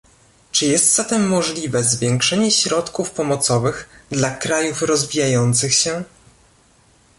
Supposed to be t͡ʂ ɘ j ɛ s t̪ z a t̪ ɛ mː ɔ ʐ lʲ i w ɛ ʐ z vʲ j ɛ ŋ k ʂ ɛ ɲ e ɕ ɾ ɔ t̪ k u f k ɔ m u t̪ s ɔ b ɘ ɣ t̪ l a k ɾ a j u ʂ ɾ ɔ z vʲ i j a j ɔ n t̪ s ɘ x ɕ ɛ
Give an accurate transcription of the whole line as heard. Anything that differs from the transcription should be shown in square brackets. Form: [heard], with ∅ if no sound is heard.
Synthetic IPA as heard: t͡ʂ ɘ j ɛ s t̪ z a t̪ ɛ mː ɔ ʐ lʲ i [v] ɛ [∅] z vʲ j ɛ ŋ k ʂ ɛ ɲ [ɛ] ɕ ɾ ɔ t̪ k u f [p] ɔ m [ɔ] t̪ s ɔ [v] ɘ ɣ [d̪] l a k ɾ a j u [f] ɾ ɔ z vʲ i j a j ɔ n t̪ s ɘ x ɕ ɛ